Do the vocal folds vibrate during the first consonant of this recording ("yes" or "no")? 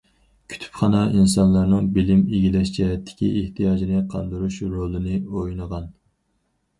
no